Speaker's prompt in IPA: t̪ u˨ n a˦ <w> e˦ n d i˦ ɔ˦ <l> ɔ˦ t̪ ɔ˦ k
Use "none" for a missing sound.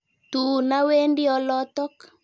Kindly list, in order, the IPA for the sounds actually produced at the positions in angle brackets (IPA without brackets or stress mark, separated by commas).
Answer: w, l